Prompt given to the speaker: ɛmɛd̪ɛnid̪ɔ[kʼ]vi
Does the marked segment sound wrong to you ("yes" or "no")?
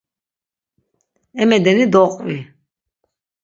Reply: yes